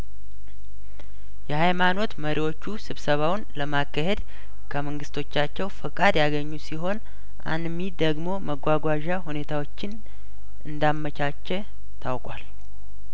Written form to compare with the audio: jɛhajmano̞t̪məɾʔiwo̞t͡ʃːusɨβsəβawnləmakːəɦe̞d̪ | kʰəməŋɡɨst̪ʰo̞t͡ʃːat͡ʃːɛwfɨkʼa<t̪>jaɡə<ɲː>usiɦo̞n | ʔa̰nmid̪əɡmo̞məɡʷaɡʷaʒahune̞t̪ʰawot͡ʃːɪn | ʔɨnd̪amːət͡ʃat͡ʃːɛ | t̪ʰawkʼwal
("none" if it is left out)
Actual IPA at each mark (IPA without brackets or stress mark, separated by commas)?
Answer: d̪, ɲː